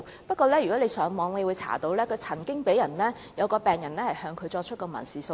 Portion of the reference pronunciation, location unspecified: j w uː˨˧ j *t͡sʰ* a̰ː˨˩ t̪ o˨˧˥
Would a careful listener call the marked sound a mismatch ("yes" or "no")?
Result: no